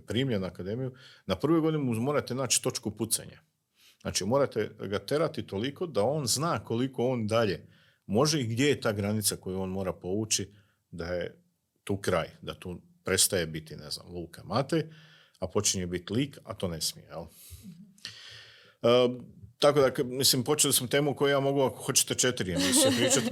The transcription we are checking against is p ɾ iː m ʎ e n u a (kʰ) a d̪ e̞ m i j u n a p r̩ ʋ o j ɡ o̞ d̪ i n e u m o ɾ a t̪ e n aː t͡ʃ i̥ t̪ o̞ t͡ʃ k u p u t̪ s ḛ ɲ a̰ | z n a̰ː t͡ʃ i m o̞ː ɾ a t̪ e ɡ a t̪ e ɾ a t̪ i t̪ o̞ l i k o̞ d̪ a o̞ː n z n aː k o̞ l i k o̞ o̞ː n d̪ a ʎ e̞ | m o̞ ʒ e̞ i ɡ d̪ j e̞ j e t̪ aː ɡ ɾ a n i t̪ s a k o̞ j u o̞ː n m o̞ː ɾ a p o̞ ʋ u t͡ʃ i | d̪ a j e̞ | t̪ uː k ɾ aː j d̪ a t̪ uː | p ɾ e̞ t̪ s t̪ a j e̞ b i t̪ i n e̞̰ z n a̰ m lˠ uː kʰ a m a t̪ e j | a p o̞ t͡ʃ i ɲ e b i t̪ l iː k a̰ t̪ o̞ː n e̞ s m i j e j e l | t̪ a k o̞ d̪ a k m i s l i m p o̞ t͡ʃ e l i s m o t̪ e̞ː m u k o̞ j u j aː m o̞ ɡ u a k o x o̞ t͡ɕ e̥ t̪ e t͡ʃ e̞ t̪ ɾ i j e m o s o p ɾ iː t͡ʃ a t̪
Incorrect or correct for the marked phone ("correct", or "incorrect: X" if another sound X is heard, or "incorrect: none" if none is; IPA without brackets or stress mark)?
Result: incorrect: k